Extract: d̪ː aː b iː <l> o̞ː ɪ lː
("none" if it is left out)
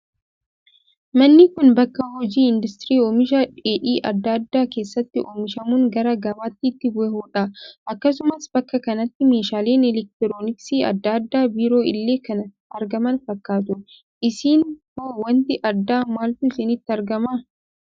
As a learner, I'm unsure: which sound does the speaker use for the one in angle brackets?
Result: ɾ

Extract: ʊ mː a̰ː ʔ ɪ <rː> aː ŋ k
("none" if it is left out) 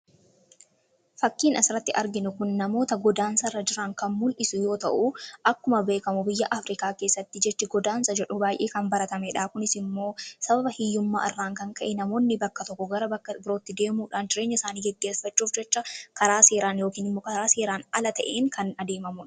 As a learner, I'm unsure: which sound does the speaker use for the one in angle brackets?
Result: rː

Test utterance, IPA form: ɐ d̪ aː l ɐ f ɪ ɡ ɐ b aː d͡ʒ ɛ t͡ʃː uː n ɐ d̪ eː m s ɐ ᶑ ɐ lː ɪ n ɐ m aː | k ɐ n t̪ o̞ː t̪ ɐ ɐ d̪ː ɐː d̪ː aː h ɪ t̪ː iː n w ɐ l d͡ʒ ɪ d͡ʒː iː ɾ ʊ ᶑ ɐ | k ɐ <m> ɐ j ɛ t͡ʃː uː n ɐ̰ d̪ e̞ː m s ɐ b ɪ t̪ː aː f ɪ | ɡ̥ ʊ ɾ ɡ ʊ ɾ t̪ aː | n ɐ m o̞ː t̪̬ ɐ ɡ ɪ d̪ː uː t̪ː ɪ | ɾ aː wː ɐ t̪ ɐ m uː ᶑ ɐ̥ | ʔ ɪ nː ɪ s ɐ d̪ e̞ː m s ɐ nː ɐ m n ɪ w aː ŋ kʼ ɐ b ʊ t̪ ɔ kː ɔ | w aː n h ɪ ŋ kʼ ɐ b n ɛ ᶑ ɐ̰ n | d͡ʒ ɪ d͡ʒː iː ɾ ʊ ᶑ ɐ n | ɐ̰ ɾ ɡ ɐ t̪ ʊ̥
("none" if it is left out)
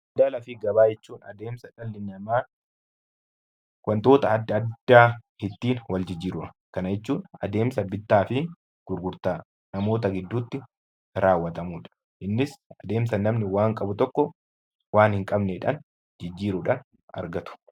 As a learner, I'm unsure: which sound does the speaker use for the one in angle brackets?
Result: n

